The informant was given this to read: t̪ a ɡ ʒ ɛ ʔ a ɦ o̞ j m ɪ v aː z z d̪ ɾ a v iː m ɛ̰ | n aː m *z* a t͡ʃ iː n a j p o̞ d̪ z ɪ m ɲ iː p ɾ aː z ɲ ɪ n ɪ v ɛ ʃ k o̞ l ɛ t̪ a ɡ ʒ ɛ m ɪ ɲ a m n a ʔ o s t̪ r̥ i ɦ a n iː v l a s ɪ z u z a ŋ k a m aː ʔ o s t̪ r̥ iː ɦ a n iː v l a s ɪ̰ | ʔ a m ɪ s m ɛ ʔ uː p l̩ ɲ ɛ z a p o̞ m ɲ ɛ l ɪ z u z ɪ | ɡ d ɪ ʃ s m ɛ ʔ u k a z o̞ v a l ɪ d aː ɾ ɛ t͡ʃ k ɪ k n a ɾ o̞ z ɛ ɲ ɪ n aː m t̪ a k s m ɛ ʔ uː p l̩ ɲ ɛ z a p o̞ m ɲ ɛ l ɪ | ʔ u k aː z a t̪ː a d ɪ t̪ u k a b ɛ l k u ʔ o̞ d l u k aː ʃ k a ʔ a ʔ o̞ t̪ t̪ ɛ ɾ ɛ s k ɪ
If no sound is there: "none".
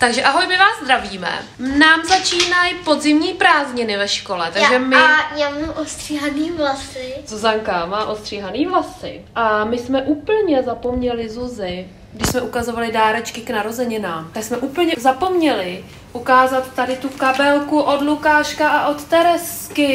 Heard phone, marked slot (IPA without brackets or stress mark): z